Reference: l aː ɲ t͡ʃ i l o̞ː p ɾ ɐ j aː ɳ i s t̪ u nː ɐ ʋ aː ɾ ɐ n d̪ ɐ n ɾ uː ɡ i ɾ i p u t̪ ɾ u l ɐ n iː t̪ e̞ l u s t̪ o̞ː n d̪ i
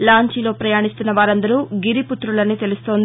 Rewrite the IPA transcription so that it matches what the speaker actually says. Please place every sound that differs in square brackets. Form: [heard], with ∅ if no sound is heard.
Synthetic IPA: l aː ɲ t͡ʃ i l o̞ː p ɾ ɐ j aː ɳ i s t̪ u nː ɐ ʋ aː ɾ ɐ n d̪ ɐ [∅] ɾ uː ɡ i ɾ i p u t̪ ɾ u l ɐ n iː t̪ e̞ l u s t̪ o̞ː n d̪ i